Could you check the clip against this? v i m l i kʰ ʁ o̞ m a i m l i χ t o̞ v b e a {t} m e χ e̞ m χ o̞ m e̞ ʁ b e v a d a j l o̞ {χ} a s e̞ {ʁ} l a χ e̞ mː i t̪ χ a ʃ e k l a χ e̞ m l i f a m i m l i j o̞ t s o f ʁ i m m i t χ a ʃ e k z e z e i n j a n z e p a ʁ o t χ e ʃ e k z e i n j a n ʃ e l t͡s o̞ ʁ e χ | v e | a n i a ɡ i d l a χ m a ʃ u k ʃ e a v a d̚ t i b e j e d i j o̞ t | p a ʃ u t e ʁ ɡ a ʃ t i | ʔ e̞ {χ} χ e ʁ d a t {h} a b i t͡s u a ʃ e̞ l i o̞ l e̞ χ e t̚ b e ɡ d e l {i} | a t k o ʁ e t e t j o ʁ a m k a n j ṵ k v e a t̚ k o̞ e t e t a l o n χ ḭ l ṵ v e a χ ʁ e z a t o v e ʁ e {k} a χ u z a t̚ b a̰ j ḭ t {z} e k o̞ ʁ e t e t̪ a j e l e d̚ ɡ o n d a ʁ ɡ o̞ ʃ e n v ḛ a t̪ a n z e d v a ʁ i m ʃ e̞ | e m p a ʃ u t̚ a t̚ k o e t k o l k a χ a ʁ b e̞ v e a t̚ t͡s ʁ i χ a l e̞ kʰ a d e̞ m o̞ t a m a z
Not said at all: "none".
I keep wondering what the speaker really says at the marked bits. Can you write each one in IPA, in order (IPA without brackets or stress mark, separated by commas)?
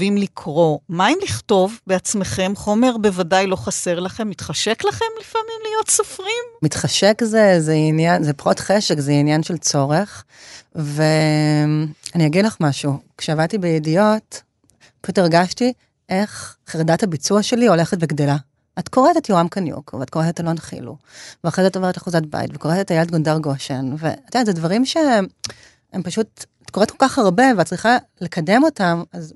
t͡s, χ, ʁ, χ, h, a, t, v